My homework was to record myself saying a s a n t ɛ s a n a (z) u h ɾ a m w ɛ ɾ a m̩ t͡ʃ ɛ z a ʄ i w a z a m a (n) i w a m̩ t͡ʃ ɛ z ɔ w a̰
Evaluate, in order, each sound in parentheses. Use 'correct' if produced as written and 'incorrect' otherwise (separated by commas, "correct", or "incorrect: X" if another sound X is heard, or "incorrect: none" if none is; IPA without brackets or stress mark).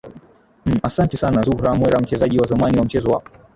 correct, correct